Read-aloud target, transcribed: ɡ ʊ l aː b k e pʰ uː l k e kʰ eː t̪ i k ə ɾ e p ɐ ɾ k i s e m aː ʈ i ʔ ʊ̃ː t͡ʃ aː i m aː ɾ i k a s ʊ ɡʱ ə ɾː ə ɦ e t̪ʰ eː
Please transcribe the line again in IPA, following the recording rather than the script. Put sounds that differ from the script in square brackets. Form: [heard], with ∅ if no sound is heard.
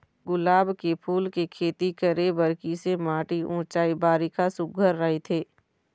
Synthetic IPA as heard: ɡ ʊ l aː b k e pʰ uː l k e kʰ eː t̪ i k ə ɾ e [b] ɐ ɾ k i s e m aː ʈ i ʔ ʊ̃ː t͡ʃ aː i [b] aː ɾ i k a s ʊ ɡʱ ə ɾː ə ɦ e t̪ʰ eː